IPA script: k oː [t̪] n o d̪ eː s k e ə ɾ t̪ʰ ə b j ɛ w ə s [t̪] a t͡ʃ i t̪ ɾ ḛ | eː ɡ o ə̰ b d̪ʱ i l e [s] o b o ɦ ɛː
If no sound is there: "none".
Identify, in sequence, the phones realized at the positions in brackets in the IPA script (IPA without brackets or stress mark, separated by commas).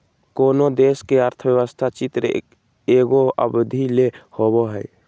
none, t̪ʰ, h